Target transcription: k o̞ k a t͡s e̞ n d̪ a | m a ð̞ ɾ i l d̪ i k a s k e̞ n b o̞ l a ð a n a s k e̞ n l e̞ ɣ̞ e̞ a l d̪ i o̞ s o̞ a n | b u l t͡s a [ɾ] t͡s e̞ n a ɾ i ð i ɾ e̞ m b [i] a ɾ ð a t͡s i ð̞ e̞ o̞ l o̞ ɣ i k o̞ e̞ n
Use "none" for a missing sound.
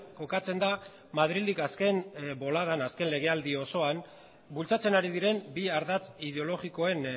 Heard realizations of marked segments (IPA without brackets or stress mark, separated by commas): none, i